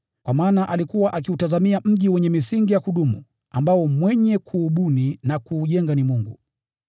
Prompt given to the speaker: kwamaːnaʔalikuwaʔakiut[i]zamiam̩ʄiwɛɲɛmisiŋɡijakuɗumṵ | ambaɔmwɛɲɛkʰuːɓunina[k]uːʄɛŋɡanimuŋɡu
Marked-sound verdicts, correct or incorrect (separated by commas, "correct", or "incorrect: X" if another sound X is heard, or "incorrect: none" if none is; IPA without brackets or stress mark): incorrect: a, correct